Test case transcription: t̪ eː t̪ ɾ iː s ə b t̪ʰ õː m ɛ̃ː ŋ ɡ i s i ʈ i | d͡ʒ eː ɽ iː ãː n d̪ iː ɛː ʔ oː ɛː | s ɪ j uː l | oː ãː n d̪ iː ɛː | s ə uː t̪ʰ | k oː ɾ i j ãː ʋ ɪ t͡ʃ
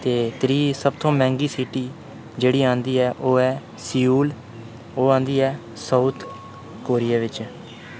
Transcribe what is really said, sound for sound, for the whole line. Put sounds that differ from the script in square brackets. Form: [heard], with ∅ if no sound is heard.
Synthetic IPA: t̪ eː t̪ ɾ iː s ə b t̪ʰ õː m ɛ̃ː ŋ ɡ [iː] s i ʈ [iː] | d͡ʒ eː ɽ iː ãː n d̪ iː ɛː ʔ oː ɛː | s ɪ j uː l | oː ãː n d̪ iː ɛː | s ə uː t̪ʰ | k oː ɾ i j [aː] ʋ ɪ t͡ʃ